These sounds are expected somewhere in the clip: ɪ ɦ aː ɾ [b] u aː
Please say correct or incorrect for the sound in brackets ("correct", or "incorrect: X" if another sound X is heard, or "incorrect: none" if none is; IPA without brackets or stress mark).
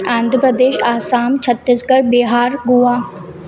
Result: incorrect: ɡ